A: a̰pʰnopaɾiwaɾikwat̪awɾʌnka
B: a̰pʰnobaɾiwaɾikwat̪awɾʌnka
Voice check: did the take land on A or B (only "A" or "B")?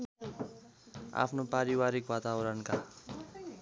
A